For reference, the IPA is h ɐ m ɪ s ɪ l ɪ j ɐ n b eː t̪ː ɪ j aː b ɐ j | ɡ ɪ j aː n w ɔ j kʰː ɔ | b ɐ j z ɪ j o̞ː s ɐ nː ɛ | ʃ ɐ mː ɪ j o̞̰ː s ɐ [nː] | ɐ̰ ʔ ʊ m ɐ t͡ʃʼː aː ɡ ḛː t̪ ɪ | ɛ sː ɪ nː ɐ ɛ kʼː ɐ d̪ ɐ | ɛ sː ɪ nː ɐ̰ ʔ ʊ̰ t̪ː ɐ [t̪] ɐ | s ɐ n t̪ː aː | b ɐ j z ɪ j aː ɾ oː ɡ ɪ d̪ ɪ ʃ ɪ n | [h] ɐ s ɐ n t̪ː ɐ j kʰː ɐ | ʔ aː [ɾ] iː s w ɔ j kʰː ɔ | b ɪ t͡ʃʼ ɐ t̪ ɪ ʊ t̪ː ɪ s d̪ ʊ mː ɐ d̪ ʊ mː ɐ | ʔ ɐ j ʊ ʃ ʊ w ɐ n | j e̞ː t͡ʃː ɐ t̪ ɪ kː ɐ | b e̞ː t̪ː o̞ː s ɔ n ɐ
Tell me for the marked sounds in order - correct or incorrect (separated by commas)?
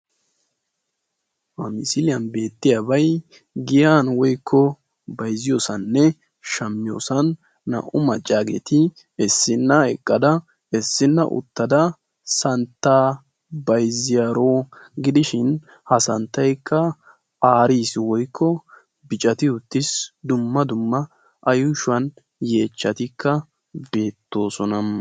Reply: correct, incorrect, correct, correct